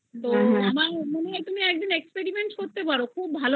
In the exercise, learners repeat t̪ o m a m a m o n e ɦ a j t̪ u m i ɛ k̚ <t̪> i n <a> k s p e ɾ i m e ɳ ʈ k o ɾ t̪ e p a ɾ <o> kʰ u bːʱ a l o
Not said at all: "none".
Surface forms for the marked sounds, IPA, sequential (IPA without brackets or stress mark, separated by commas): d̪, e, o